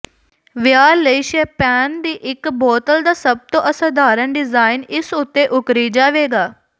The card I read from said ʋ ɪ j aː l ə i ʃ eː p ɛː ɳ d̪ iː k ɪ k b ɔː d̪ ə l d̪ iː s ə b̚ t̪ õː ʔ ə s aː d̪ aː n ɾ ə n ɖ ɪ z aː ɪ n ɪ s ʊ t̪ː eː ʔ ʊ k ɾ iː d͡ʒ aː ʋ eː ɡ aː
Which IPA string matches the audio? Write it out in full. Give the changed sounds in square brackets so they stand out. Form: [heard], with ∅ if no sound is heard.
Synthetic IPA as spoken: ʋ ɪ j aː l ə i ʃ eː p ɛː [n] d̪ iː [ʔ] ɪ k b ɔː [t̪] ə l d̪ [aː] s ə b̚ t̪ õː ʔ ə s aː d̪ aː [∅] ɾ ə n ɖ ɪ z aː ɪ n ɪ s ʊ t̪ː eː ʔ ʊ k ɾ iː d͡ʒ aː ʋ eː ɡ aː